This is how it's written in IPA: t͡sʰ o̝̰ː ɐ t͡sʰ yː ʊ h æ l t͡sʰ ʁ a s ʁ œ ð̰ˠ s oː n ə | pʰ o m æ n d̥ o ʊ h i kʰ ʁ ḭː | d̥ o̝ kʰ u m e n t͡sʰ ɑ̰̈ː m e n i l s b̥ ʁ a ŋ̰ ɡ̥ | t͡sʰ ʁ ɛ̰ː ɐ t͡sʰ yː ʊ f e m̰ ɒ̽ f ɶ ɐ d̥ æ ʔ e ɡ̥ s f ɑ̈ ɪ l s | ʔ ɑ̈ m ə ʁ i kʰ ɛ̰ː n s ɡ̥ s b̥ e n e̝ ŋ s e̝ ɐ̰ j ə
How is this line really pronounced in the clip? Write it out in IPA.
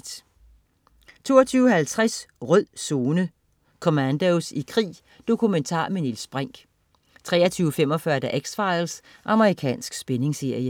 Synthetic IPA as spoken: t͡sʰ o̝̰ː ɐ t͡sʰ yː ʊ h æ l t͡sʰ ʁ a s ʁ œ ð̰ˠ s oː n ə | kʰ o m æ n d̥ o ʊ s i kʰ ʁ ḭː | d̥ o̝ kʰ u m e n t͡sʰ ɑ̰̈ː m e n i l s b̥ ʁ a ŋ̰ ɡ̥ | t͡sʰ ʁ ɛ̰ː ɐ t͡sʰ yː ʊ f e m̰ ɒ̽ f ɶ ɐ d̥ æ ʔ e ɡ̥ s f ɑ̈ ɪ l s | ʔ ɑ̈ m ə ʁ i kʰ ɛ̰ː n s ɡ̥ s b̥ e n e̝ ŋ s e̝ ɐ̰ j ə